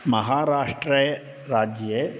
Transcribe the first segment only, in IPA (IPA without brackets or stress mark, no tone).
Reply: m